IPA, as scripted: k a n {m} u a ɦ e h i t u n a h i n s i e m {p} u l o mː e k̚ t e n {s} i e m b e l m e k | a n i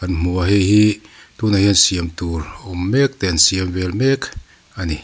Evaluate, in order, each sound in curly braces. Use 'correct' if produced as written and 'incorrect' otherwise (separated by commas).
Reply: correct, incorrect, correct